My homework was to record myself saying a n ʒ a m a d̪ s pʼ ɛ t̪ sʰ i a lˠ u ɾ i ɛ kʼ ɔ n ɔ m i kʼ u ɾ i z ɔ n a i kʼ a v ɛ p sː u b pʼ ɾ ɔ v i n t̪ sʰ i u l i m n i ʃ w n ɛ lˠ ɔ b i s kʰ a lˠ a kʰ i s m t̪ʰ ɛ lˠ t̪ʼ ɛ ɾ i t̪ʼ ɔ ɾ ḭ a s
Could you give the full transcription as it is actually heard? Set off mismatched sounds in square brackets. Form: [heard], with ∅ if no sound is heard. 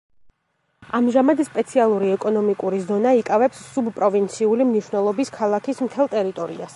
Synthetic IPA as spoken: a [m] ʒ a m a d̪ s pʼ ɛ t̪ sʰ i a lˠ u ɾ i ɛ kʼ ɔ n ɔ m i kʼ u ɾ i z ɔ n a i kʼ a v ɛ p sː u b pʼ ɾ ɔ v i n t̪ sʰ i u l i m n i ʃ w n ɛ lˠ ɔ b i s kʰ a lˠ a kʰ i s m t̪ʰ ɛ lˠ t̪ʼ ɛ ɾ i t̪ʼ ɔ ɾ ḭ a s